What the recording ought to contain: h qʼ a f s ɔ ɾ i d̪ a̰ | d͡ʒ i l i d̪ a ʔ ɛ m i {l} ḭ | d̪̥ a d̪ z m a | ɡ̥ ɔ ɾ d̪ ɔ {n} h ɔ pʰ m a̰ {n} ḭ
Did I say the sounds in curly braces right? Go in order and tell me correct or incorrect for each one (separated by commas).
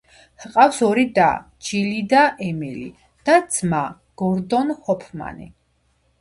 correct, correct, correct